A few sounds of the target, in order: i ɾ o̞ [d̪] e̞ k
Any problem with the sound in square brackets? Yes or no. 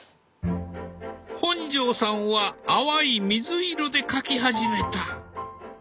no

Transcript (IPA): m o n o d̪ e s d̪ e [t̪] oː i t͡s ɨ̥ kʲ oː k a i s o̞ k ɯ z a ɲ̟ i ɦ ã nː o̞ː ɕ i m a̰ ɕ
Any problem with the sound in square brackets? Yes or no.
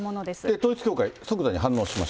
no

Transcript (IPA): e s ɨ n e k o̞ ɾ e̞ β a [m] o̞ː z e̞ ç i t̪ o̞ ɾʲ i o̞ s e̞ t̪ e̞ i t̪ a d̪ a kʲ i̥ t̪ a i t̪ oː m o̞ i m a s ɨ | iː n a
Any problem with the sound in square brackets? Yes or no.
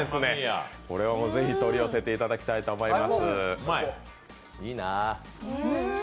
no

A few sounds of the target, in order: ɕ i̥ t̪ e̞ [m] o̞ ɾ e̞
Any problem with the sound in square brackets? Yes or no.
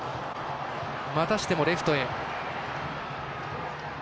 no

